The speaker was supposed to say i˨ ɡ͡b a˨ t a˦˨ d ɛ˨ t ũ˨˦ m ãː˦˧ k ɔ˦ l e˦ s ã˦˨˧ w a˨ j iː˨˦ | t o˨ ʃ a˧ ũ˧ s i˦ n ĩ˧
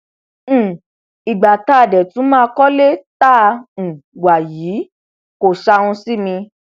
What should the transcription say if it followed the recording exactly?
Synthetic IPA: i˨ ɡ͡b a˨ t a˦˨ d ɛ˨ t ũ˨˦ m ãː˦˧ k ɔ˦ l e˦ t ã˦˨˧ w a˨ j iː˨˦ | k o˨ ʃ a˧ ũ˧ s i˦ m ĩ˧